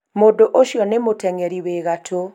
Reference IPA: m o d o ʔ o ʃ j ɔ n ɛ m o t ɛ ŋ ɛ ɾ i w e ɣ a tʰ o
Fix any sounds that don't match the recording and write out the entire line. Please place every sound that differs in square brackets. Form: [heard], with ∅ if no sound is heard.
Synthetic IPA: m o d o ʔ o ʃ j ɔ n [e] m o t ɛ ŋ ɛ ɾ i w e ɣ a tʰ o